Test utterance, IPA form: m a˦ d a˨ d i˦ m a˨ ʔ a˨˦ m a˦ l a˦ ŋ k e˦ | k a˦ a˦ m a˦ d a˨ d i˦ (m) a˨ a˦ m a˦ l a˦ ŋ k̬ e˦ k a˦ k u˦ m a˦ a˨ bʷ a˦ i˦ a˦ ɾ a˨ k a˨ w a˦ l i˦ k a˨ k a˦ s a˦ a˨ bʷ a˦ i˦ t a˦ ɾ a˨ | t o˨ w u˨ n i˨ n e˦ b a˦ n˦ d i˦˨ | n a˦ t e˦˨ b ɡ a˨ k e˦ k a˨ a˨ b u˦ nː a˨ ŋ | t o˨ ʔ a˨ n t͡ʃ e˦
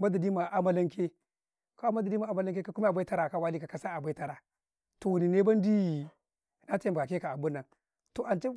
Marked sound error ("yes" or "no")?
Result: no